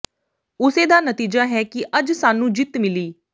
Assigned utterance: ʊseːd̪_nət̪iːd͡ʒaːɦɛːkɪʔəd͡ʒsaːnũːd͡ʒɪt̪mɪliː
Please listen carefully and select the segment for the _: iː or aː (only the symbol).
aː